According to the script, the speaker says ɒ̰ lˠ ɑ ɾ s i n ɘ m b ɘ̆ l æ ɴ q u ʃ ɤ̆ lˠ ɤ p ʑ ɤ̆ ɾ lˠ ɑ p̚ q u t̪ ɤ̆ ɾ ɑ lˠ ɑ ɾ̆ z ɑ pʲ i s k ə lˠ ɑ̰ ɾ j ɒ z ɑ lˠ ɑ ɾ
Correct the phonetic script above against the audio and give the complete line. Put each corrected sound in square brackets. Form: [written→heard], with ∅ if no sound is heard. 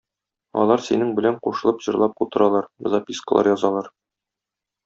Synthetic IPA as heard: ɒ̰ lˠ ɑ ɾ s i n ɘ [m→ŋ] b ɘ̆ l æ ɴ q u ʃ ɤ̆ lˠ ɤ p ʑ ɤ̆ ɾ lˠ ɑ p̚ q u t̪ ɤ̆ ɾ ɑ lˠ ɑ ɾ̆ z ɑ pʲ i s k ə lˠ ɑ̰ ɾ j ɒ z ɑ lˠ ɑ ɾ

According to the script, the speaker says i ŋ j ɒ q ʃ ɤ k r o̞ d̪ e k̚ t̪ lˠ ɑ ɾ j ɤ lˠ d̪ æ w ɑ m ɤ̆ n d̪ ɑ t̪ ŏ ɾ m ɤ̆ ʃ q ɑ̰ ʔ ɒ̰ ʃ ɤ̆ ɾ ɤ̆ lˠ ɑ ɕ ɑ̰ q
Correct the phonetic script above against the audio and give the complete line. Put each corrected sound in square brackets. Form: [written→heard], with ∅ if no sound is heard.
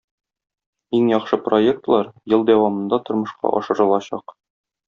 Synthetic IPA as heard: i ŋ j ɒ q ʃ ɤ [k→p] r o̞ [d̪→∅] e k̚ t̪ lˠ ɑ ɾ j ɤ lˠ d̪ æ w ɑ m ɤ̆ n d̪ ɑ t̪ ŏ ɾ m ɤ̆ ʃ q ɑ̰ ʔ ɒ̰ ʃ ɤ̆ ɾ ɤ̆ lˠ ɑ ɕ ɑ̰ q

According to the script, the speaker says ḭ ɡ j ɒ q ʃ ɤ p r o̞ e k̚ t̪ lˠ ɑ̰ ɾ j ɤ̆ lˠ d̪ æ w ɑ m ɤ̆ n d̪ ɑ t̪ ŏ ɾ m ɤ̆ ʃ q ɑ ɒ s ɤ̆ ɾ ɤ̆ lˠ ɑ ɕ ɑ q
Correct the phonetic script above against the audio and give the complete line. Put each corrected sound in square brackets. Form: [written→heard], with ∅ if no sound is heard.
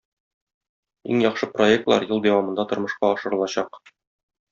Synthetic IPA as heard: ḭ [ɡ→ŋ] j ɒ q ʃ ɤ p r o̞ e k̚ t̪ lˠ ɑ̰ ɾ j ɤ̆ lˠ d̪ æ w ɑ m ɤ̆ n d̪ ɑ t̪ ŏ ɾ m ɤ̆ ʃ q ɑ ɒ [s→ʃ] ɤ̆ ɾ ɤ̆ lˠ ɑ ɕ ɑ q

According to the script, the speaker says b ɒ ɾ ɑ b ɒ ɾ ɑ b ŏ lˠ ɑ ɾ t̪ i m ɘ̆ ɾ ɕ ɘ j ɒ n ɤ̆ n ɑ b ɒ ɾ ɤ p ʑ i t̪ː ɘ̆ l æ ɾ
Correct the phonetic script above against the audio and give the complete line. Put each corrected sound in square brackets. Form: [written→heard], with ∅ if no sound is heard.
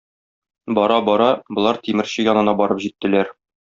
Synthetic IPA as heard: b ɒ ɾ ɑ b ɒ ɾ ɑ b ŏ lˠ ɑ ɾ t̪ i m ɘ̆ ɾ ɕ ɘ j ɒ n ɤ̆ n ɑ b ɒ ɾ ɤ p ʑ i t̪ː ɘ̆ l æ ɾ

